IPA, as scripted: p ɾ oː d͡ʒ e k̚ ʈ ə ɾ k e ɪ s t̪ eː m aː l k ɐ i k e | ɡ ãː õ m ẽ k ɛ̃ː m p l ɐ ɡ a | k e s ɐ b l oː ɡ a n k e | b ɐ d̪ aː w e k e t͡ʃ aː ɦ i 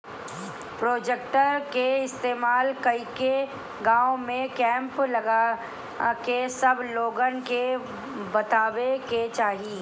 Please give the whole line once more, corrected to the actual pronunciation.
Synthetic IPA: p ɾ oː d͡ʒ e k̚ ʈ ə ɾ k e ɪ s t̪ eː m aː l k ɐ i k e | ɡ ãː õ m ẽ k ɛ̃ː m p l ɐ ɡ a | k e s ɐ b l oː ɡ ə n k e | b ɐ t̪ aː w e k e t͡ʃ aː ɦ i